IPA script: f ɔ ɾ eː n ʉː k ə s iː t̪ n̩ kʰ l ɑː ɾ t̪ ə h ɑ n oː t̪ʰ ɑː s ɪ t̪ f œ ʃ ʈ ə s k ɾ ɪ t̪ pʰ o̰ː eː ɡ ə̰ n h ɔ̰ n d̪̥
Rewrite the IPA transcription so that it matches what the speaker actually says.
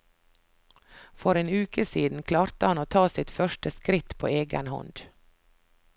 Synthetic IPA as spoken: f ɔ ɾ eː n ʉː k ə s iː d̪ n̩ kʰ l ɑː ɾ t̪ ə h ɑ n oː t̪ʰ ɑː s ɪ t̪ f œ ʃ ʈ ə s k ɾ ɪ t̪ pʰ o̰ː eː ɡ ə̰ n h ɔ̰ n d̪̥